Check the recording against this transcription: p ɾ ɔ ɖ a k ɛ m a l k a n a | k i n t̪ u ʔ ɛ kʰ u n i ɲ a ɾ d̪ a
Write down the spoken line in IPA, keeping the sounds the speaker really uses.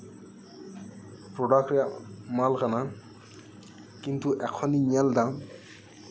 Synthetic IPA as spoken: p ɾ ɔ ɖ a k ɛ m a l k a n a | k i n t̪ u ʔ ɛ kʰ ɔ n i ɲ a l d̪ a